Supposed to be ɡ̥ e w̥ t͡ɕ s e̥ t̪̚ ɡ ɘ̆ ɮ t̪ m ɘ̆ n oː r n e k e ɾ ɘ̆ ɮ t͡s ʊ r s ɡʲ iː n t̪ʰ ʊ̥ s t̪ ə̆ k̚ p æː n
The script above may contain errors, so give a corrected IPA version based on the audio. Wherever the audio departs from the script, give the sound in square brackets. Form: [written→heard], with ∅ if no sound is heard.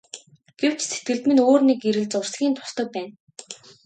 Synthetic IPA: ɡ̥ e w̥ t͡ɕ s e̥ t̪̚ ɡ ɘ̆ ɮ t̪ m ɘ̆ n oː r n e k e ɾ ɘ̆ ɮ t͡s ʊ r s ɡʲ iː n t̪ʰ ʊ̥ s t̪ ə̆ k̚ p æː n